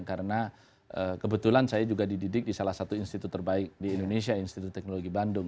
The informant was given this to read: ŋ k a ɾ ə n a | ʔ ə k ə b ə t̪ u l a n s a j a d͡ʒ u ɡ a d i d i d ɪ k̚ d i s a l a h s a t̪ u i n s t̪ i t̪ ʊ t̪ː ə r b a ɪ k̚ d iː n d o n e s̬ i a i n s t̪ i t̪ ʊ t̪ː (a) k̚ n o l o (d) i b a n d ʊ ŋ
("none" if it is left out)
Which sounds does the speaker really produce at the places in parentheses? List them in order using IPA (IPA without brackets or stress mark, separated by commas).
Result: ɛ, ɡ